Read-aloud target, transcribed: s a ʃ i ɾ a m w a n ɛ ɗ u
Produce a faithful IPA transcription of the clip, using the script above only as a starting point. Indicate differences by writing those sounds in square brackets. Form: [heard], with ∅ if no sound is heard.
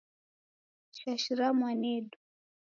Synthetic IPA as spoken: [ʃ] a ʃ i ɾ a m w a n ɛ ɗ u